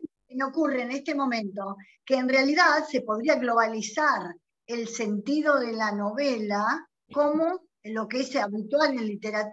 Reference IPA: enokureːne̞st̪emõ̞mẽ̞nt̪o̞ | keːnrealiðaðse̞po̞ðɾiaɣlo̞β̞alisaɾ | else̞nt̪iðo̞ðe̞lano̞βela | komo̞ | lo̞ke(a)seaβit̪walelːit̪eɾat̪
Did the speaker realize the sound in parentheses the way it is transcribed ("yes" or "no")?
no